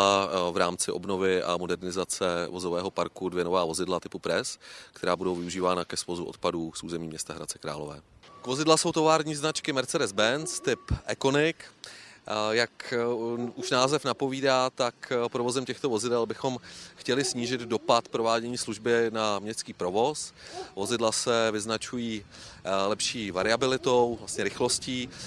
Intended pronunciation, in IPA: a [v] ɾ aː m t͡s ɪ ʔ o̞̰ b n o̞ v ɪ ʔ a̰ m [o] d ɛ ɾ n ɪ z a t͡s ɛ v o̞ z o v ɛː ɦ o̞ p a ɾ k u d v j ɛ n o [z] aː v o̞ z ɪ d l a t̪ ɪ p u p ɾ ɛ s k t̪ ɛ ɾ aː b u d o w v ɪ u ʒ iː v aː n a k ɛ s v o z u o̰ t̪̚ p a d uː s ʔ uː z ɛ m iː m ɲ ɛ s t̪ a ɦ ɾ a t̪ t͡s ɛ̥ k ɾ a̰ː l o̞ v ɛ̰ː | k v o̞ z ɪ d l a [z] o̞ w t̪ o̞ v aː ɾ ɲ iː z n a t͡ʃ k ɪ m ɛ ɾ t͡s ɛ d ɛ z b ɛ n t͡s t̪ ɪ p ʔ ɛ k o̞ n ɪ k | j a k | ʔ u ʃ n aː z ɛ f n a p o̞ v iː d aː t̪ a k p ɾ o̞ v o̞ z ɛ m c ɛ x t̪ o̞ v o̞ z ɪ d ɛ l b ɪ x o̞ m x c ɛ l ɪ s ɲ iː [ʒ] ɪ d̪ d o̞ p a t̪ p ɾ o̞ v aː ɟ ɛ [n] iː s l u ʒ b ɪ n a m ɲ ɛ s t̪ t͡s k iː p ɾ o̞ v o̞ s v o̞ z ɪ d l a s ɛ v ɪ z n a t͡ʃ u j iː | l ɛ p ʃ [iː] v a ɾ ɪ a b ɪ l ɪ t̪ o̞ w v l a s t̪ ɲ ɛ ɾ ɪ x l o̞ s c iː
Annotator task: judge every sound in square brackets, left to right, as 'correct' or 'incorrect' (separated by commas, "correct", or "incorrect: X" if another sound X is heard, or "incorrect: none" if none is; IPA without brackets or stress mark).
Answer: correct, correct, incorrect: v, incorrect: s, correct, incorrect: ɲ, correct